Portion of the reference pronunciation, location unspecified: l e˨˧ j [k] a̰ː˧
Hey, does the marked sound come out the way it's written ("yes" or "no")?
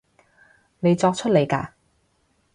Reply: yes